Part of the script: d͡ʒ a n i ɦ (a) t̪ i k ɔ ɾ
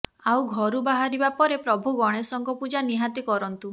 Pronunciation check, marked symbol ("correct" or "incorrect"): correct